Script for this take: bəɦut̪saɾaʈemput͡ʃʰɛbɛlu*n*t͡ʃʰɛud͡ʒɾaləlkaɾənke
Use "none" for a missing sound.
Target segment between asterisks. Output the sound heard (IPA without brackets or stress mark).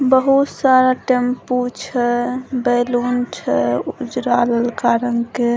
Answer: n